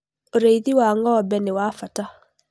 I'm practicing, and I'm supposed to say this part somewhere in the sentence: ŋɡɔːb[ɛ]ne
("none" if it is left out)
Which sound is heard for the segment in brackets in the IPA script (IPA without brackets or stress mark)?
ɛ